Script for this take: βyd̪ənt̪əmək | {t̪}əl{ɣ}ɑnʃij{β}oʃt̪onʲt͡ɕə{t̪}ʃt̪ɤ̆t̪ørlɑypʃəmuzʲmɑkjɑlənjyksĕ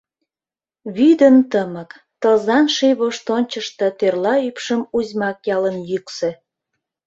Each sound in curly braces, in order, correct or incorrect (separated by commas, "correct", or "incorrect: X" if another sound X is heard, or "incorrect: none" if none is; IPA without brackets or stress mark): correct, incorrect: z, correct, incorrect: none